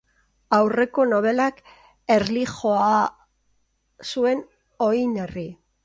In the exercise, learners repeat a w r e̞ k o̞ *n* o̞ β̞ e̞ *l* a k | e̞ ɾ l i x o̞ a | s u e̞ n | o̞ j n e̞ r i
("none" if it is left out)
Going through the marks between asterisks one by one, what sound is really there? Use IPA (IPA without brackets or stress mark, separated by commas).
n, l